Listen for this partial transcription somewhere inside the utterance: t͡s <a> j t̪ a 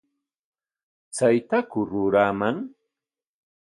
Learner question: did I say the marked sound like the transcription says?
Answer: yes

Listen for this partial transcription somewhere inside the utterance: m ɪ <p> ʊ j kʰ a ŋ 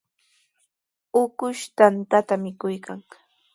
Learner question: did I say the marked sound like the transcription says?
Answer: no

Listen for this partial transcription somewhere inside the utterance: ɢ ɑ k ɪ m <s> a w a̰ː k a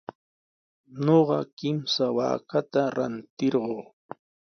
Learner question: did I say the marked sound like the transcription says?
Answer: yes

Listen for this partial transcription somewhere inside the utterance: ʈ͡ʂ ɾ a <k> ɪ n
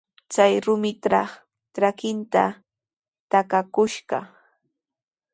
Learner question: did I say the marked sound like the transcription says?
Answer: yes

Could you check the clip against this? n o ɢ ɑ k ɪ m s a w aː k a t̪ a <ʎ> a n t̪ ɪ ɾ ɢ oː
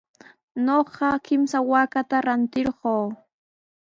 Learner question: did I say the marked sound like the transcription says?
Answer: no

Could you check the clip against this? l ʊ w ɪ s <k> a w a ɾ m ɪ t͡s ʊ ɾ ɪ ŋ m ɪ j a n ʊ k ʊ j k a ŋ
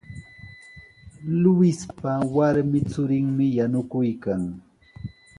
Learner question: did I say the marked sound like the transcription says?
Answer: no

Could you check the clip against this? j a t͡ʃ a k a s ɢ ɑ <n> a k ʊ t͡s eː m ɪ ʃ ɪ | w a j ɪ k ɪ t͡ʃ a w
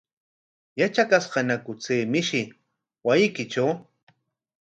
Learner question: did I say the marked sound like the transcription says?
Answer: yes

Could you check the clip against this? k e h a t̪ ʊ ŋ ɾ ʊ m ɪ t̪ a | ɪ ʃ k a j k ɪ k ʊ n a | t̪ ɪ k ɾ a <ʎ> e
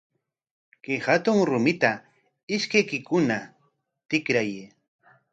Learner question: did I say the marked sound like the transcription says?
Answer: no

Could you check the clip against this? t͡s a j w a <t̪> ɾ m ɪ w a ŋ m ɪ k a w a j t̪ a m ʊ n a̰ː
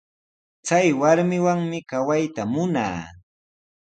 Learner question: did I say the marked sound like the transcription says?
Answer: no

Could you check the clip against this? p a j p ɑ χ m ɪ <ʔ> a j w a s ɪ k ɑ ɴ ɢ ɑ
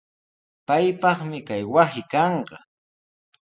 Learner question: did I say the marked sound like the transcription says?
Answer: no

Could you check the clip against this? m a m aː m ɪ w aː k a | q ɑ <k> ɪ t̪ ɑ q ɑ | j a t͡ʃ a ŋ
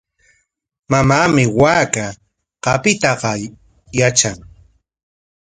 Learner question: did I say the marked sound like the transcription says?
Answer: no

